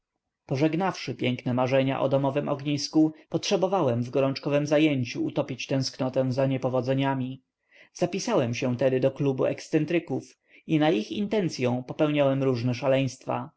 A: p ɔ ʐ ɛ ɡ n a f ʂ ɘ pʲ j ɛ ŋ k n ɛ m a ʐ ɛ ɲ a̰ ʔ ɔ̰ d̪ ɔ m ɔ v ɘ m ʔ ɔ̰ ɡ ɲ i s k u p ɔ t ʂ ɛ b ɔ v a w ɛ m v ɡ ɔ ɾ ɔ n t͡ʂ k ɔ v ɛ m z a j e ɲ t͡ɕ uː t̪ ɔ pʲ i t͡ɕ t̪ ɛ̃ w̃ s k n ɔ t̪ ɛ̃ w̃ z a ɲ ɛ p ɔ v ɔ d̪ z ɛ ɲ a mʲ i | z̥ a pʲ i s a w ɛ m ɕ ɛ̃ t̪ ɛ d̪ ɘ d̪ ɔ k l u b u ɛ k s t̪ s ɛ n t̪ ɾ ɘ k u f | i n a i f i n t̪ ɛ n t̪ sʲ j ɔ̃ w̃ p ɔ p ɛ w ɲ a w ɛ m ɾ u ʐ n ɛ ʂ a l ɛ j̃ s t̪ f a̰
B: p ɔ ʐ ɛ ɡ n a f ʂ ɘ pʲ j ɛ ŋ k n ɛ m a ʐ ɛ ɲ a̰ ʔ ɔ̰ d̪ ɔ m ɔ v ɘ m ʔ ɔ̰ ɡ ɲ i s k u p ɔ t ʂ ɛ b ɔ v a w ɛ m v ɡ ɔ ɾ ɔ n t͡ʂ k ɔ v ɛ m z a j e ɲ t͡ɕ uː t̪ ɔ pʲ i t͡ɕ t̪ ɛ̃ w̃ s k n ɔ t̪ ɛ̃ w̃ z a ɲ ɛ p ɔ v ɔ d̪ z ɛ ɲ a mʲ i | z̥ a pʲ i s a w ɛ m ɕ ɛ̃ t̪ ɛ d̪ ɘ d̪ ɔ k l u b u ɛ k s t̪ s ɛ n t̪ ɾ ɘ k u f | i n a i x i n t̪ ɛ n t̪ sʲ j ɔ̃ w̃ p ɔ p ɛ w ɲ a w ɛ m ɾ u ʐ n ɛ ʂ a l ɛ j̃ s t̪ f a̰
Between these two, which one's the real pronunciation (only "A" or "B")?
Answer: B